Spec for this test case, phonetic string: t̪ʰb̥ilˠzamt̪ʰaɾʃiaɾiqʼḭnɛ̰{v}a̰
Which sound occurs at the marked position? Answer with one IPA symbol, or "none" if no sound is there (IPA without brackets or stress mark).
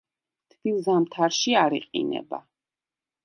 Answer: b